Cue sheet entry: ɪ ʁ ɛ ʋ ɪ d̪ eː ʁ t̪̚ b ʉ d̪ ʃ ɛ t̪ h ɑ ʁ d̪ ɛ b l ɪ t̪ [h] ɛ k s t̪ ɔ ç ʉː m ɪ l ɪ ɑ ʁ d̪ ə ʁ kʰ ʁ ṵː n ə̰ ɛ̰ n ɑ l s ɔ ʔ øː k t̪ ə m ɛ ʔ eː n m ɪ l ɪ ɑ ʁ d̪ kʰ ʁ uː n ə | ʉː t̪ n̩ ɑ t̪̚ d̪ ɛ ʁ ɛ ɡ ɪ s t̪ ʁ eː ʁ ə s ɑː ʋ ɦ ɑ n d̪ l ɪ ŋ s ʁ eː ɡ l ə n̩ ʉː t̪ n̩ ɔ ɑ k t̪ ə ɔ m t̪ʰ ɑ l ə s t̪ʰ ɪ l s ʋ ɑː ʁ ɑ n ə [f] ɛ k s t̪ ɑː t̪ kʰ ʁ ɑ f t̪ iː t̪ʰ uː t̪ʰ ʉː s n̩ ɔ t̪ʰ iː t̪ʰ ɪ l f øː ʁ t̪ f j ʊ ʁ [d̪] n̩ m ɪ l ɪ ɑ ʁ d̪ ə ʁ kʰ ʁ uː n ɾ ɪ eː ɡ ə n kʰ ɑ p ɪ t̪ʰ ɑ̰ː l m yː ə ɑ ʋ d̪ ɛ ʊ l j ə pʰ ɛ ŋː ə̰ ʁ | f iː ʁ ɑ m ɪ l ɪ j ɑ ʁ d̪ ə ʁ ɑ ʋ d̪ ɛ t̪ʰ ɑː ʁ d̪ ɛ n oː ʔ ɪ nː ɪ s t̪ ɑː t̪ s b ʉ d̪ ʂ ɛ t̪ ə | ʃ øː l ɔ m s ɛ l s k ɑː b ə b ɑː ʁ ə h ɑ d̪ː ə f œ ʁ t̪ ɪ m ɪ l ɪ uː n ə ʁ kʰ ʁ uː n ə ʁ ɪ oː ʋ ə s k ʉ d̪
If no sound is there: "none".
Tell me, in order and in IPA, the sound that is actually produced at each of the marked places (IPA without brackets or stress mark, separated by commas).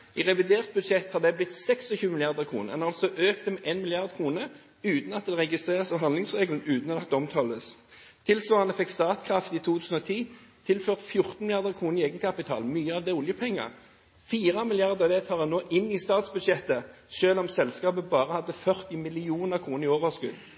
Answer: s, f, t̪